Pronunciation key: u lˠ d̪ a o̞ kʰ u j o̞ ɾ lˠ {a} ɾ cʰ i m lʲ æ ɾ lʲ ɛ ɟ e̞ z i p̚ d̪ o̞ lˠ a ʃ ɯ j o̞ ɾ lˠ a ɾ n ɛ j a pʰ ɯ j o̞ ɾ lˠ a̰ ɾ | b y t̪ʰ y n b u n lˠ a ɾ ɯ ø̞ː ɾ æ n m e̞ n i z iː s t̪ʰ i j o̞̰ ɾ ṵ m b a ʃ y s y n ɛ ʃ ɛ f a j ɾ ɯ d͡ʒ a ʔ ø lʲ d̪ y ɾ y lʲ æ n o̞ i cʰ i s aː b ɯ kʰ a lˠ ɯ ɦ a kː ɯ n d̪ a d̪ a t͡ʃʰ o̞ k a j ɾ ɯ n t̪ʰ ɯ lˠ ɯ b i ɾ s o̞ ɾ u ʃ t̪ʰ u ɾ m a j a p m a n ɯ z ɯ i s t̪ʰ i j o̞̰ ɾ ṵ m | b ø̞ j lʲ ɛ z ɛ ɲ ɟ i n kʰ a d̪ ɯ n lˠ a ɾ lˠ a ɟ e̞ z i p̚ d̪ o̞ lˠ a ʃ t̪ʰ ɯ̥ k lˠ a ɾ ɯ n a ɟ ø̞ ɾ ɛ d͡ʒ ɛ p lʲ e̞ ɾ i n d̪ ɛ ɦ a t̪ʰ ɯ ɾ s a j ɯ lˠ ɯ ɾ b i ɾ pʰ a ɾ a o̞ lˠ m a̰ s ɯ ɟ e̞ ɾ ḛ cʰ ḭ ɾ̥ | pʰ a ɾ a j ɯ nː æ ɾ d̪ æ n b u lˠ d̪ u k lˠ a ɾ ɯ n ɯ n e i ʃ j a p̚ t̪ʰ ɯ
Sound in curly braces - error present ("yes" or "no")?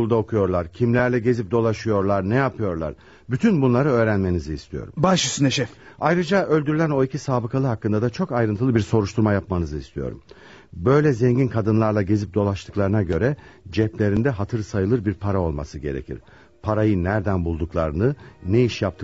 no